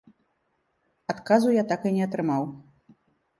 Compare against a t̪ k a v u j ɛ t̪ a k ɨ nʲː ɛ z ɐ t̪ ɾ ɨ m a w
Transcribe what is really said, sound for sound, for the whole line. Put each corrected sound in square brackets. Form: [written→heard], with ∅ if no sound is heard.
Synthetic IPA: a t̪ k a [v→z] u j [ɛ→a] t̪ a k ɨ [nʲː→nʲ] ɛ [z→∅] ɐ t̪ ɾ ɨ m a w